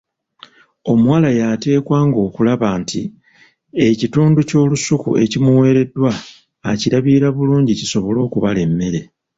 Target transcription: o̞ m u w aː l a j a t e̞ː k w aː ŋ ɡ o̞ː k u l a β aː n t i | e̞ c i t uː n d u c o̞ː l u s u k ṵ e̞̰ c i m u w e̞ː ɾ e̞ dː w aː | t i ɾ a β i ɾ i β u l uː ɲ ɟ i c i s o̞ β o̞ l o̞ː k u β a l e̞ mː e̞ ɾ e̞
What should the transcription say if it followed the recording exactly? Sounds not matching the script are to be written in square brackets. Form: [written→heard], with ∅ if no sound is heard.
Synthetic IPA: o̞ m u w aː l a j a t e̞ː k w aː ŋ ɡ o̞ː k u l a β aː n t i | e̞ c i t uː n d u c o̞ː l u s u k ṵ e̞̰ c i m u w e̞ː ɾ e̞ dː w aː | [t→c] i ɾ a β i ɾ [i→a] β u l uː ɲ ɟ i c i s o̞ β o̞ l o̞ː k u β a l e̞ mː e̞ ɾ e̞